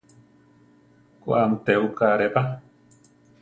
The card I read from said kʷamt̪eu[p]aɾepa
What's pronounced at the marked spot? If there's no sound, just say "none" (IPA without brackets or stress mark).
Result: k